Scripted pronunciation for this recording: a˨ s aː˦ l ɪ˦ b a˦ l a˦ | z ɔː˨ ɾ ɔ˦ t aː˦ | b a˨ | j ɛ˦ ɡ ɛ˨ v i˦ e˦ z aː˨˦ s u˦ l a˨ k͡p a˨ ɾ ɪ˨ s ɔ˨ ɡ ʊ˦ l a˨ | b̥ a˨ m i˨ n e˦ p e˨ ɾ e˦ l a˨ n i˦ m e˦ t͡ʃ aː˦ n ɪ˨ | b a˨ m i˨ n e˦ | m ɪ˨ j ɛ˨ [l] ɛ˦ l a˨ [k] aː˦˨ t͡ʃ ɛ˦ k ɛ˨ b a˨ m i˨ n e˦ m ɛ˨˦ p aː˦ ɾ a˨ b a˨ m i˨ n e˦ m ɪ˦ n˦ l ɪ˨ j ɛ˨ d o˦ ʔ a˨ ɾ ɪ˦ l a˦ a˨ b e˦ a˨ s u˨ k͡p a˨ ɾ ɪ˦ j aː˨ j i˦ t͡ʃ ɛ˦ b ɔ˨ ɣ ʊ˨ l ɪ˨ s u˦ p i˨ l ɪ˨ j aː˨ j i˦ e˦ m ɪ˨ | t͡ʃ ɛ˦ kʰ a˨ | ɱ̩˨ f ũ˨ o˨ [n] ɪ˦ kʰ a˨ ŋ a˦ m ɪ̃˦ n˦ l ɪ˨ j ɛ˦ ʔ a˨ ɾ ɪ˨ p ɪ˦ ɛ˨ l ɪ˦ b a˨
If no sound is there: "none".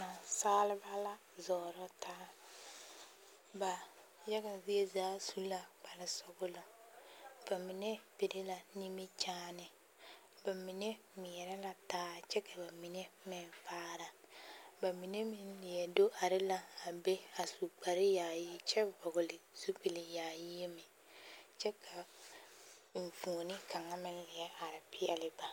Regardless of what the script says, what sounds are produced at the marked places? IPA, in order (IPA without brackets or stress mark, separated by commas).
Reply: ɾ, t, n